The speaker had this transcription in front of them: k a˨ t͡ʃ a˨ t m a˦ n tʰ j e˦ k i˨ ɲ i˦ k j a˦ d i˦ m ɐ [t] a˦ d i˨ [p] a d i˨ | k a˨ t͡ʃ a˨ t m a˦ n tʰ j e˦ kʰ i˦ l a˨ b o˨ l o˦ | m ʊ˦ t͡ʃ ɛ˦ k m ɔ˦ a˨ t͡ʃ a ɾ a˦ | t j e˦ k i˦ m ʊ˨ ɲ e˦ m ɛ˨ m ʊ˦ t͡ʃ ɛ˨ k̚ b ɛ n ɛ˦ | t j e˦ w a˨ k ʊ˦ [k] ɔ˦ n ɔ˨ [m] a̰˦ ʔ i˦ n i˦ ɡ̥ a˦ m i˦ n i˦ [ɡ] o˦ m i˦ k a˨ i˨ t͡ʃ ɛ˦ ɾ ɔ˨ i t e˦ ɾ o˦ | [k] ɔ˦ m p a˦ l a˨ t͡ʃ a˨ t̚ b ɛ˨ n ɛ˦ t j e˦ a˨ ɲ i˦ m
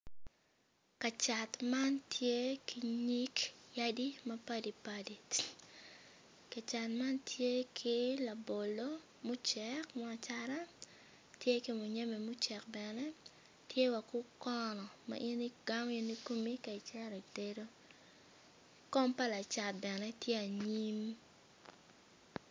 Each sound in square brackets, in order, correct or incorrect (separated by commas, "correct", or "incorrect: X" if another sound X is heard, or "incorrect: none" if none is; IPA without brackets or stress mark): incorrect: p, correct, correct, correct, incorrect: k, correct